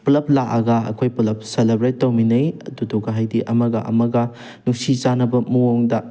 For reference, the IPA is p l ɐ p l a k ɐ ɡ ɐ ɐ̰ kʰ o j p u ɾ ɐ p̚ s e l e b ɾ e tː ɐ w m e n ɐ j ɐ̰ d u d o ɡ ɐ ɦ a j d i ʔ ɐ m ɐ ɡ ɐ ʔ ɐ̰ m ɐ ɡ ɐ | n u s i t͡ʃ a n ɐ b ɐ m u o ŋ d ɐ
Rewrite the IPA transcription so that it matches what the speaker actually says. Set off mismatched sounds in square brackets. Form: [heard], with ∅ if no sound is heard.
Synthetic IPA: p l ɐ p l a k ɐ ɡ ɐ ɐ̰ kʰ o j p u [l] ɐ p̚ s e l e b ɾ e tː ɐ w m [i] n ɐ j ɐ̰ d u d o ɡ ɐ ɦ a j d i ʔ ɐ m ɐ ɡ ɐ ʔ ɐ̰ m ɐ ɡ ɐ | n u s i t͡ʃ a n ɐ b ɐ m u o ŋ d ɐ